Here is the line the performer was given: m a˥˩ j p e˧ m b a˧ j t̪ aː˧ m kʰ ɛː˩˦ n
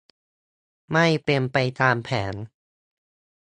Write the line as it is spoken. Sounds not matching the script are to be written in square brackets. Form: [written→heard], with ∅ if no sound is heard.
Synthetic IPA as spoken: m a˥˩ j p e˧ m [b→p] a˧ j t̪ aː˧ m [kʰ→pʰ] ɛː˩˦ n